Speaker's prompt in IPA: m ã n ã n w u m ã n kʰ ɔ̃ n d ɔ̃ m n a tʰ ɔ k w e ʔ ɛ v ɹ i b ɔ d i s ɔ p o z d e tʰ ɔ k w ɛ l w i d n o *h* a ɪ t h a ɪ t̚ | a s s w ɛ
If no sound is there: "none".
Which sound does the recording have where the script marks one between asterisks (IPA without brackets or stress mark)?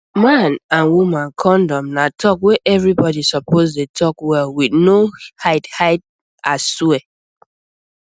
h